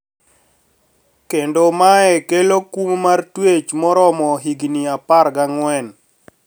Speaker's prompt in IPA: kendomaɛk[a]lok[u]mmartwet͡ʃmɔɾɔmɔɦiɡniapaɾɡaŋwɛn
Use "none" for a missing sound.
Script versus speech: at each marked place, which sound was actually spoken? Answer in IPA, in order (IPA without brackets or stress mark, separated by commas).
e, u